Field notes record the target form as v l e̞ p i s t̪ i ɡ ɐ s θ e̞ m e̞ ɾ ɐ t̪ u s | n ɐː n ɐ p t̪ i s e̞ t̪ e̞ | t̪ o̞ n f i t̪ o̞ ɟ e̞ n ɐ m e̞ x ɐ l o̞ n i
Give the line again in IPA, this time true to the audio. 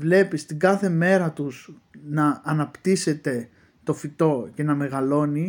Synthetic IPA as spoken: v l e̞ p i s t̪ i ɡ ɐ θ e̞ m e̞ ɾ ɐ t̪ u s | n ɐː n ɐ p t̪ i s e̞ t̪ e̞ | t̪ o̞ f i t̪ o̞ c e̞ n ɐ m e̞ ɣ ɐ l o̞ n i